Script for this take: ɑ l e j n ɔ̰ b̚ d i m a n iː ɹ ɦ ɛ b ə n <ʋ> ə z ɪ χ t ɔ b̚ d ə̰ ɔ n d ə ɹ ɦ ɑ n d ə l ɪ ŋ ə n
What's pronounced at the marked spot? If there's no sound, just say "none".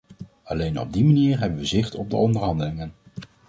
ʋ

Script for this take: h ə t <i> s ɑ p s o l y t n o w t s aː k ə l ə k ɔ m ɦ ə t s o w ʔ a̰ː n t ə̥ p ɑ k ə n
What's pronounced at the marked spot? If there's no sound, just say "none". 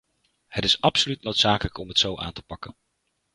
ɪ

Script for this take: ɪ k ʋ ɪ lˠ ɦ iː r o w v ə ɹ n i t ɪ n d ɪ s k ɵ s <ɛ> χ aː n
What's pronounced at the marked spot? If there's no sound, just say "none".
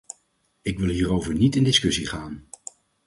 i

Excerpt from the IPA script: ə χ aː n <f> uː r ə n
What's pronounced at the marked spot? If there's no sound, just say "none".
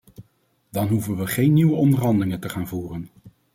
v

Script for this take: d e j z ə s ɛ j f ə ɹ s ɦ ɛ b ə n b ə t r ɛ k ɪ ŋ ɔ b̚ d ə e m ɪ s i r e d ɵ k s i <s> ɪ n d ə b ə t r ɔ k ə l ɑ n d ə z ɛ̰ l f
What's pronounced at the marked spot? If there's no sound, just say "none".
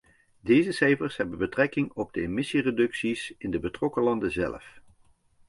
s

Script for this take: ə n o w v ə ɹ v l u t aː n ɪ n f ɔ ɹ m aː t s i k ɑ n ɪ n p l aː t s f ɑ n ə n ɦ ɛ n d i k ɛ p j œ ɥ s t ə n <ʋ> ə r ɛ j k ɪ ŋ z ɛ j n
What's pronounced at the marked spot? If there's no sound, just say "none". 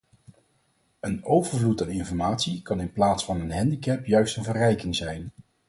v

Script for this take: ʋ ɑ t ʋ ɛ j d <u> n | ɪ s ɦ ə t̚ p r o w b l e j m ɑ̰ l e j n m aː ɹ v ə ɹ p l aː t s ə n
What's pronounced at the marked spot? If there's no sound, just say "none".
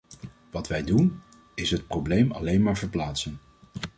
u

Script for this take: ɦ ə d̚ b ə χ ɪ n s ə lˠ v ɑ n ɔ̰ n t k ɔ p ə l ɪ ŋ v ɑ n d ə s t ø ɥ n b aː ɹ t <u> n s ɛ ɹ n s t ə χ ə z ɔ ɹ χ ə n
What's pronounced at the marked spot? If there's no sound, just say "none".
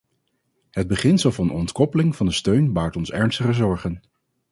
ɔ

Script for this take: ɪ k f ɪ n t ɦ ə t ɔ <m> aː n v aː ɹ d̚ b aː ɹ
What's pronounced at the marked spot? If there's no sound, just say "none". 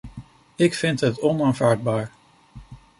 n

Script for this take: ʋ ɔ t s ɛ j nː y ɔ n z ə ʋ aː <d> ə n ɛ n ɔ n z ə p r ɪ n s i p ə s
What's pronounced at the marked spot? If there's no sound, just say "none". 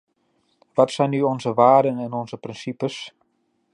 d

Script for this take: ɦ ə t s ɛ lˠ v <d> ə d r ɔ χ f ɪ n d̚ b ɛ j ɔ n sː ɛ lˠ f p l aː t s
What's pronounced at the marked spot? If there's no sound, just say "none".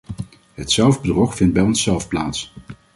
b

